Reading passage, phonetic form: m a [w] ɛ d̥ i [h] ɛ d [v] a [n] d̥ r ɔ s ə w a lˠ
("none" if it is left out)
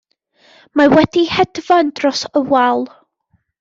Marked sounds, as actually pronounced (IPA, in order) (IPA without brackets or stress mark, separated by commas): w, h, v, n